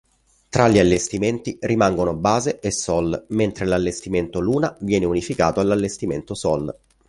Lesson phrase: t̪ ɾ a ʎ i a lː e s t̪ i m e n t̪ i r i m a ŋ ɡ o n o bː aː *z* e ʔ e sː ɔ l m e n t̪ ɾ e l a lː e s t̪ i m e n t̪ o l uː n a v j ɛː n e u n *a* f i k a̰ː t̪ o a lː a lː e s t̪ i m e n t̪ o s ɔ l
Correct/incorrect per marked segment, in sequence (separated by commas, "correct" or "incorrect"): correct, incorrect